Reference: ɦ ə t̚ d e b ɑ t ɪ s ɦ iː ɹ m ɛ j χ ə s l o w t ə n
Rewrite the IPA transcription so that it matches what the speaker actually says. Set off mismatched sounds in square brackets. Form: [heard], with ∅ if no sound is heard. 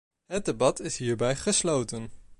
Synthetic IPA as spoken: ɦ ə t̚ d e b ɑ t ɪ s ɦ iː ɹ [b] ɛ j χ ə s l o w t ə n